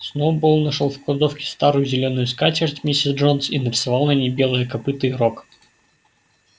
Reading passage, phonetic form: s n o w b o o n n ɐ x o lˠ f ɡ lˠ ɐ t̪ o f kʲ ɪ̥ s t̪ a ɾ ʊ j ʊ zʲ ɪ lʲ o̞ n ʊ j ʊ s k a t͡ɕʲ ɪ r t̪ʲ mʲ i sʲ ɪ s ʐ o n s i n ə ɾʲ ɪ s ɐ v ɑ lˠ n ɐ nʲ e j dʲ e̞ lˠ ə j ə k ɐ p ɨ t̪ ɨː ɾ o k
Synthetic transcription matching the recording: s n o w b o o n n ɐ ʂ o lˠ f k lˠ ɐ d̪ o f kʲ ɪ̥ s t̪ a ɾ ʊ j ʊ zʲ ɪ lʲ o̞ n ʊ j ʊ s k a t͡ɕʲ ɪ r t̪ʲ mʲ i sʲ ɪ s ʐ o n s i n ə ɾʲ ɪ s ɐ v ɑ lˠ n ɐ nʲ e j bʲ e̞ lˠ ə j ə k ɐ p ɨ t̪ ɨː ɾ o k